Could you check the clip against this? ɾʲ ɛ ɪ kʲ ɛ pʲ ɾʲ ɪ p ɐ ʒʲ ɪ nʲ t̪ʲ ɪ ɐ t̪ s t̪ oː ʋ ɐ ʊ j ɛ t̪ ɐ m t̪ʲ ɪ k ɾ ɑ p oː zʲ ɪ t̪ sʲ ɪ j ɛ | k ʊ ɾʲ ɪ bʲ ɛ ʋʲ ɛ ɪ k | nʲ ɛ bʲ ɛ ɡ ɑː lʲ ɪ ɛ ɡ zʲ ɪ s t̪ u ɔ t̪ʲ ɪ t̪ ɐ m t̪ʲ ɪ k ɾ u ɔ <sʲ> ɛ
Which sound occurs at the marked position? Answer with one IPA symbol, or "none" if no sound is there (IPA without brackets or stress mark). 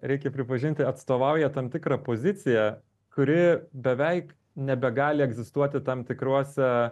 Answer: sʲ